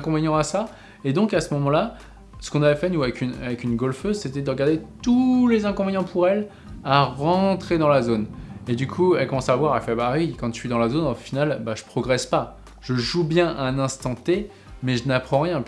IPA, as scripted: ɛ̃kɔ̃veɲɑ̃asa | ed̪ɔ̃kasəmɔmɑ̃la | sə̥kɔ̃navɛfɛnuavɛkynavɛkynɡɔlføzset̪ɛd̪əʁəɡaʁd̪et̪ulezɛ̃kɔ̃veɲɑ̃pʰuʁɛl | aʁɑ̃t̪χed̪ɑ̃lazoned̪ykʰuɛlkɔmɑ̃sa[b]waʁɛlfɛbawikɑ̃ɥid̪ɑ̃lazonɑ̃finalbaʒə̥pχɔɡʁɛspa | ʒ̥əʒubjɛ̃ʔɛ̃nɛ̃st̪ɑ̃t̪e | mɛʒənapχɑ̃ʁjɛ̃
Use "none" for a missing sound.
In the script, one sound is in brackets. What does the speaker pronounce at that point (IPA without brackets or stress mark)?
v